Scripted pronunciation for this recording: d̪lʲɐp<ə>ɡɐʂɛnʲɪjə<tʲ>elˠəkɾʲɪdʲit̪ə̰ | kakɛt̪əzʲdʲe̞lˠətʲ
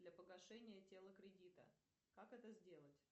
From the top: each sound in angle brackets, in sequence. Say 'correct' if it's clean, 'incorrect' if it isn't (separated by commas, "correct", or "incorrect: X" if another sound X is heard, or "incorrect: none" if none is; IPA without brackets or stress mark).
correct, correct